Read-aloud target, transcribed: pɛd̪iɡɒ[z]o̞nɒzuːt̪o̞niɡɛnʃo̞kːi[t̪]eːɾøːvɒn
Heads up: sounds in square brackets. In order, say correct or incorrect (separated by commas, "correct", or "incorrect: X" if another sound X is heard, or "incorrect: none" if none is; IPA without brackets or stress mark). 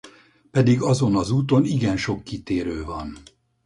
correct, correct